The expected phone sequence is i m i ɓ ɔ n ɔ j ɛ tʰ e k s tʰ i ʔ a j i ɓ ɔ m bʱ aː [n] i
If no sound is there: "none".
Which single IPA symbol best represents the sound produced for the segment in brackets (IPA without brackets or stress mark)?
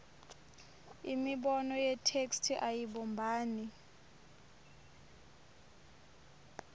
n